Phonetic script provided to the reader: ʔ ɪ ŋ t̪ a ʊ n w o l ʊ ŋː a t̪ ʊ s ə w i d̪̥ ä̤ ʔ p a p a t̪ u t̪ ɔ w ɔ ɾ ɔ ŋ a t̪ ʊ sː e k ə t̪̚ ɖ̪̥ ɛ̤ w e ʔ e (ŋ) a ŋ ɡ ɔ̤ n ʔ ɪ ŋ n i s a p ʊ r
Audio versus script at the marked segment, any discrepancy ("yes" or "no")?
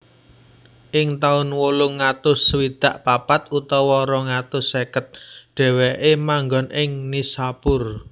yes